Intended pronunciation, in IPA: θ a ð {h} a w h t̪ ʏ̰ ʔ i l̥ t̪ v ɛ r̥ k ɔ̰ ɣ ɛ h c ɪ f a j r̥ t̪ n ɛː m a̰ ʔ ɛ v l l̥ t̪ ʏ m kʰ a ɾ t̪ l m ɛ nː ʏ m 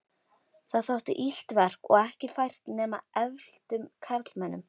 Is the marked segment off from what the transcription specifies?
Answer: yes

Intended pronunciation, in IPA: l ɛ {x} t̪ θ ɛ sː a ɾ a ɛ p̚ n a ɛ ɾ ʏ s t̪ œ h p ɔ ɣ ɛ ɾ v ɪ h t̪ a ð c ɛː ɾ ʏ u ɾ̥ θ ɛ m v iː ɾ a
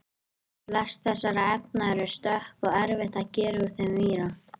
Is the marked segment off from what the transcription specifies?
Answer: yes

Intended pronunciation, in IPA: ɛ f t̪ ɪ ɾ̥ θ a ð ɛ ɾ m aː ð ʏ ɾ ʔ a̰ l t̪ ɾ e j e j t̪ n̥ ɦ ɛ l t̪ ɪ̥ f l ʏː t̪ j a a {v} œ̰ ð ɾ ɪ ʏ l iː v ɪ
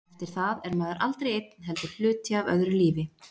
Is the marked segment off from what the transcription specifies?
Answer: no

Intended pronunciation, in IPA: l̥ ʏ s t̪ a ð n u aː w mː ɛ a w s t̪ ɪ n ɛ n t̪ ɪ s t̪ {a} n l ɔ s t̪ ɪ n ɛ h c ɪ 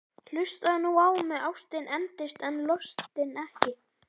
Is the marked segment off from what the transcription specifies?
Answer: yes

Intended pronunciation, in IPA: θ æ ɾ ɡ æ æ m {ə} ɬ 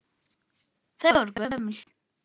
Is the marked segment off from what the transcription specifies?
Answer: no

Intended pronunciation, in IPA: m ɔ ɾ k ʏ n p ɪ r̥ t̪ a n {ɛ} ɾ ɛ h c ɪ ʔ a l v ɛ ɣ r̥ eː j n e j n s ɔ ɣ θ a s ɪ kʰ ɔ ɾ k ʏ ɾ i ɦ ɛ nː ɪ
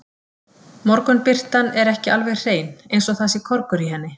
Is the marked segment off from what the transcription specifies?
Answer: no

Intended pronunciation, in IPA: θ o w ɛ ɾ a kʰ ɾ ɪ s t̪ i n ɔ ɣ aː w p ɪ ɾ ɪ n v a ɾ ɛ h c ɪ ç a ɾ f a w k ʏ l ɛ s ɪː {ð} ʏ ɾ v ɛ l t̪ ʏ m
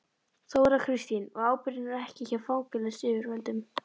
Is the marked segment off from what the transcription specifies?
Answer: yes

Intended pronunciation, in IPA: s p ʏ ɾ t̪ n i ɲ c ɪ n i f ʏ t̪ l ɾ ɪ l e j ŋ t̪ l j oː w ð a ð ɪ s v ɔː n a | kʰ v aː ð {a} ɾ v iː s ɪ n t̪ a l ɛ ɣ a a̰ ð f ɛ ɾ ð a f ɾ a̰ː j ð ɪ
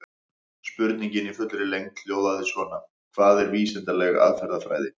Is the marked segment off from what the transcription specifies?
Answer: yes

